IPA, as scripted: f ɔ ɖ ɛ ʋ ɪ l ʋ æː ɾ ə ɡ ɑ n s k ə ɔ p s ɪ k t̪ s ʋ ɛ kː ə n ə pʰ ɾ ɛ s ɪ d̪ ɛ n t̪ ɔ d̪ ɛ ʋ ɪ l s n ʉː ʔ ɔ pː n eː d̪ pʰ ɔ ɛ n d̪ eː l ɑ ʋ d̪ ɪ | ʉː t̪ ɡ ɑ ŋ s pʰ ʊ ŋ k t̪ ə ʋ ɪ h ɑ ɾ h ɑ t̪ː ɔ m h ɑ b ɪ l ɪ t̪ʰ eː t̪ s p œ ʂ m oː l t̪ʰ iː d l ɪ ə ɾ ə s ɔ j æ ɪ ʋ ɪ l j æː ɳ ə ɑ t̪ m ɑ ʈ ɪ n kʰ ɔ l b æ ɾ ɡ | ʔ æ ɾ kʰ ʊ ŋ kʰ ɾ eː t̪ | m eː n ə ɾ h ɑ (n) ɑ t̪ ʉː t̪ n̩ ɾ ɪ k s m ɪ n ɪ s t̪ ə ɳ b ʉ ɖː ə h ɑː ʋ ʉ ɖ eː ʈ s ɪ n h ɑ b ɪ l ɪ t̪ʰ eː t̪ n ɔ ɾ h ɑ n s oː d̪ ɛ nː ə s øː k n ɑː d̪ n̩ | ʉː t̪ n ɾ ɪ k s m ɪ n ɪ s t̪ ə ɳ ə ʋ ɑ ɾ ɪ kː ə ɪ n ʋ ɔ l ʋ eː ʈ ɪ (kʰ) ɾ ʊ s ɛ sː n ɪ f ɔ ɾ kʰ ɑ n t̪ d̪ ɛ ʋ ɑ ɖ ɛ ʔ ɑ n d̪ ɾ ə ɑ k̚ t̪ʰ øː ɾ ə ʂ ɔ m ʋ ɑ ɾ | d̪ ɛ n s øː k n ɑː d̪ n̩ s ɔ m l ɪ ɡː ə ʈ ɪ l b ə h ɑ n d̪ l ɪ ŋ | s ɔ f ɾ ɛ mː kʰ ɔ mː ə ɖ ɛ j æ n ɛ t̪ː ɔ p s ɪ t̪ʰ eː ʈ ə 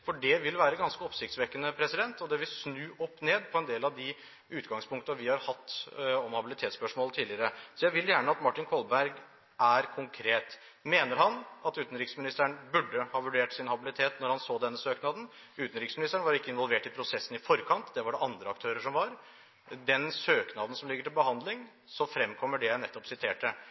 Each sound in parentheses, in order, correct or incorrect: correct, incorrect

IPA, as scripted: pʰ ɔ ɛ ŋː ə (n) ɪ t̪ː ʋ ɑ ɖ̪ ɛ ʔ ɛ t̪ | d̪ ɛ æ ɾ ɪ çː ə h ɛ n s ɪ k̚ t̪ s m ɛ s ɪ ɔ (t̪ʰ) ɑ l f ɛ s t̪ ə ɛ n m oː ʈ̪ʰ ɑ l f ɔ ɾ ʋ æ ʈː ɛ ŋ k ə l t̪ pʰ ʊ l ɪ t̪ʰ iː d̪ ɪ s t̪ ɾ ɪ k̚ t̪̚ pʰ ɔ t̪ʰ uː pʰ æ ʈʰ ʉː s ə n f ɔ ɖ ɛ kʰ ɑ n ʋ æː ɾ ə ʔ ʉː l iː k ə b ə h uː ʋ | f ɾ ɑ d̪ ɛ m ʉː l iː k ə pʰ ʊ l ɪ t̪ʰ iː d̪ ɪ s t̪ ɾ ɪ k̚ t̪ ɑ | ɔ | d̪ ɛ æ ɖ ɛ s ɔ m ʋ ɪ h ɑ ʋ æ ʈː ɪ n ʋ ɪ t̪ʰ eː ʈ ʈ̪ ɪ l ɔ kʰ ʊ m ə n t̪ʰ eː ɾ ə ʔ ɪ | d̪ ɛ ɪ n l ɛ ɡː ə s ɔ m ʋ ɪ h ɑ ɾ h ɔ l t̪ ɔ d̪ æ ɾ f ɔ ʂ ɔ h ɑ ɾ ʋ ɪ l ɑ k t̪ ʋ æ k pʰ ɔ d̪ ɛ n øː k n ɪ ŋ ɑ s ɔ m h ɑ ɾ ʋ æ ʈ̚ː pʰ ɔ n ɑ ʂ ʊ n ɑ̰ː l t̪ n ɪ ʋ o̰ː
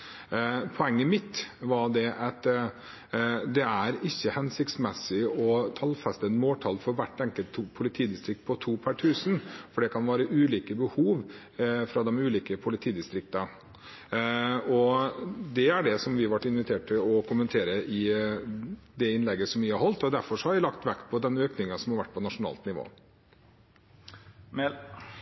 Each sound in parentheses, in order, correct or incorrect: incorrect, correct

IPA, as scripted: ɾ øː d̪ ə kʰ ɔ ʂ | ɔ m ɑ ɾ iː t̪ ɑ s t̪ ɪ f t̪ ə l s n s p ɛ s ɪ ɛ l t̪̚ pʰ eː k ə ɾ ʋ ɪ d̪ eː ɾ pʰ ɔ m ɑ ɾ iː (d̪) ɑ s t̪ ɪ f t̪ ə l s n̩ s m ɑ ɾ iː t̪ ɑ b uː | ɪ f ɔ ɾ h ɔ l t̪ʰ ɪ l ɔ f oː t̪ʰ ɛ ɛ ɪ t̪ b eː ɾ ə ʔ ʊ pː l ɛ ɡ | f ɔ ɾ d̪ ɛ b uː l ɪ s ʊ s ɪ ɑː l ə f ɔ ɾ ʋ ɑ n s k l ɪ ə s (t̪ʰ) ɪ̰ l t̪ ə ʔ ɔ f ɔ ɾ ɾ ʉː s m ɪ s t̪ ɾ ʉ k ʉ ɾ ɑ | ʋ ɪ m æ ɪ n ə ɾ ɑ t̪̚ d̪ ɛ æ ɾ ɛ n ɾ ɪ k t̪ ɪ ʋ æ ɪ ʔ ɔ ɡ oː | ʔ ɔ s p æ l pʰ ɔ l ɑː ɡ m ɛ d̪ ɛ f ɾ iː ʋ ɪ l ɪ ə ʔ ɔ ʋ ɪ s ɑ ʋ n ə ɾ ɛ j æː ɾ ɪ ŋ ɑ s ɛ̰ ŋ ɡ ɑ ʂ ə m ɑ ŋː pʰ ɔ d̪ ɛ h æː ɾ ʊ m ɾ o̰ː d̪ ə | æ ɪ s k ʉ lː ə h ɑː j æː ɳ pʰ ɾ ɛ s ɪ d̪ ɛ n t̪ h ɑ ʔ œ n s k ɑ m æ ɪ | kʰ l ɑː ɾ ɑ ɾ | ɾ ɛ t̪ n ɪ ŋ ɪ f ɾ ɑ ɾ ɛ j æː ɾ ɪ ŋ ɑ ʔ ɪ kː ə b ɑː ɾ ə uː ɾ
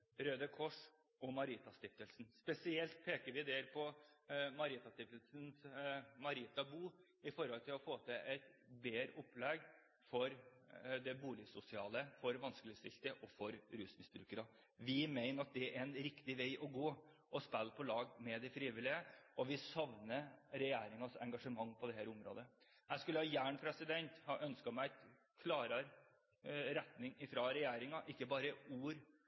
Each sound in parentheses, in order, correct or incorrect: incorrect, incorrect

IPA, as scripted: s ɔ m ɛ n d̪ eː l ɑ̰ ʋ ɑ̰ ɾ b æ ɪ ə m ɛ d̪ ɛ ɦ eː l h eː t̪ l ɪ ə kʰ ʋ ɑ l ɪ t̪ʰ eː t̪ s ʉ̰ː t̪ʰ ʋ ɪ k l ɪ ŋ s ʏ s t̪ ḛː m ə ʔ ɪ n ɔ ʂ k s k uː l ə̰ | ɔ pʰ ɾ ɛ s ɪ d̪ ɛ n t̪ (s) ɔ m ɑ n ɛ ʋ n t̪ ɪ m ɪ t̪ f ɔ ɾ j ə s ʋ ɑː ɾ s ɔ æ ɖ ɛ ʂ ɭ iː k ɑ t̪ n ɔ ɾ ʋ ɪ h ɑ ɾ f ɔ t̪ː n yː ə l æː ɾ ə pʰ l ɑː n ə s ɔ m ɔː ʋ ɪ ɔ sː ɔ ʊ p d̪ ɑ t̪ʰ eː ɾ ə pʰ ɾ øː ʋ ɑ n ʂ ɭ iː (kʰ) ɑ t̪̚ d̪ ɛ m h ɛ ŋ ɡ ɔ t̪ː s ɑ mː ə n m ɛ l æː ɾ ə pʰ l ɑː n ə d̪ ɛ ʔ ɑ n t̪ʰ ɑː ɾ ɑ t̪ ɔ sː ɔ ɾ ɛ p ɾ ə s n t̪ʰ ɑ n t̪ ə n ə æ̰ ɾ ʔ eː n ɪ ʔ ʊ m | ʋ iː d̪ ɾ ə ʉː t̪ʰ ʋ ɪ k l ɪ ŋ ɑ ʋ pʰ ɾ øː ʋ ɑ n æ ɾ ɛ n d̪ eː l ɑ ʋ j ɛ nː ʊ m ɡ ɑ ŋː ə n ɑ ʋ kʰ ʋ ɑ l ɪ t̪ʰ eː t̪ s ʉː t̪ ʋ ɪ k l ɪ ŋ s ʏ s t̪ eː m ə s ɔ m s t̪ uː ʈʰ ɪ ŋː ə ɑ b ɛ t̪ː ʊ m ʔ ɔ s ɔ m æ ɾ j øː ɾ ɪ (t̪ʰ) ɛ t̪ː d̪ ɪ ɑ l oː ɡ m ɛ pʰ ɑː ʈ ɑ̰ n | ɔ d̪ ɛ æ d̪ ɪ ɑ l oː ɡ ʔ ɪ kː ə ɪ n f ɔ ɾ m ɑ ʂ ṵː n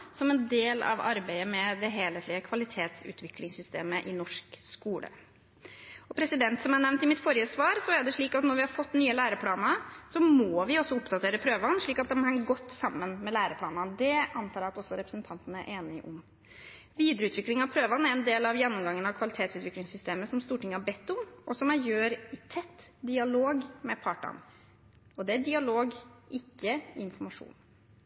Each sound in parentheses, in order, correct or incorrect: correct, incorrect, correct

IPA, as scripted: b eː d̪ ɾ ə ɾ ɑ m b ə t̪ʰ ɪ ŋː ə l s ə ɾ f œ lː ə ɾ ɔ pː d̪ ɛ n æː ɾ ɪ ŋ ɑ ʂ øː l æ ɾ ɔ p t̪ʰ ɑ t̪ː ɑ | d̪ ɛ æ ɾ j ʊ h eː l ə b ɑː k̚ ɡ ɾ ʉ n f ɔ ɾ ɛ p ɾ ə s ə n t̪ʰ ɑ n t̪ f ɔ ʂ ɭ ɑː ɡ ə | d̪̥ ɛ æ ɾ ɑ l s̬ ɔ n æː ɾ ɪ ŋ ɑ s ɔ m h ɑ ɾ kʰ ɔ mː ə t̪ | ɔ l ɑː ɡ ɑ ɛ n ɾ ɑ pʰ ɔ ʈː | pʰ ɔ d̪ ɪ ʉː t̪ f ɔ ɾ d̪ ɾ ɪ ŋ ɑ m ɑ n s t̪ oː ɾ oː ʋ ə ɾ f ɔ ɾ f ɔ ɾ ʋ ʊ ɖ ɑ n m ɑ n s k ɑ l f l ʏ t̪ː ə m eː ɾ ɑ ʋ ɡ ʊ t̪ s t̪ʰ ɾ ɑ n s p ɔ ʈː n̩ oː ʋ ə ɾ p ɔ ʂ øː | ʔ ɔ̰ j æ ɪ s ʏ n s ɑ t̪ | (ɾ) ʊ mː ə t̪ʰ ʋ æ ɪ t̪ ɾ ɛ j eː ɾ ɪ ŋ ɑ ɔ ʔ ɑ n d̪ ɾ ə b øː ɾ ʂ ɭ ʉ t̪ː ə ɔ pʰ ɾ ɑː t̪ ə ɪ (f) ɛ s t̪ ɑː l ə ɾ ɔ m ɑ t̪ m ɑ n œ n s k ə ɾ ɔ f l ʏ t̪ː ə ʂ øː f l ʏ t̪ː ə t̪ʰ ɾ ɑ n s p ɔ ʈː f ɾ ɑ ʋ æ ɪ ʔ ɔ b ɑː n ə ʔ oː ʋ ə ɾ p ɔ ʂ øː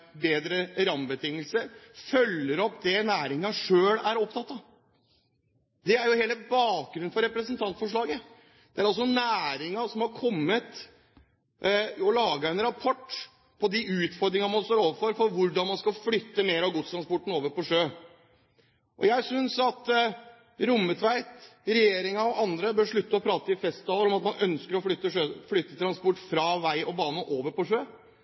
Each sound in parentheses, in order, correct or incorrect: correct, correct

